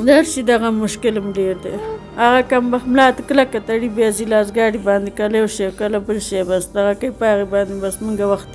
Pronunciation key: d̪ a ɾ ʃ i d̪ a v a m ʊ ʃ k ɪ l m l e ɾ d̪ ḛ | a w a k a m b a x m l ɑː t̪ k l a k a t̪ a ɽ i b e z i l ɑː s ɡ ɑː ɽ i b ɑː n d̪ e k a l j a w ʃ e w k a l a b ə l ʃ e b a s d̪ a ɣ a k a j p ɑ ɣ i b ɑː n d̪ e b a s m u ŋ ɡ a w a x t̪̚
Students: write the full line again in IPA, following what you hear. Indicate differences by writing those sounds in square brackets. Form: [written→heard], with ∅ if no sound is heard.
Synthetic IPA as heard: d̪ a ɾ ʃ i d̪ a [v→ɣ] a m ʊ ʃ k ɪ l m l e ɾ d̪ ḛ | a [w→ɣ] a k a m b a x m l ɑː t̪ k l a k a t̪ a ɽ i b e z i l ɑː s ɡ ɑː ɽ i b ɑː n d̪ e k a l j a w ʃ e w k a l a b ə l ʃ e b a s d̪ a ɣ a k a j p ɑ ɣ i b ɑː n d̪ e b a s m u ŋ ɡ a w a x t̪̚